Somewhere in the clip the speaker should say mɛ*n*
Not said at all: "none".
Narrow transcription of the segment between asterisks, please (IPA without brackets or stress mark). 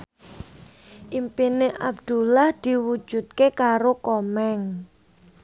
ŋ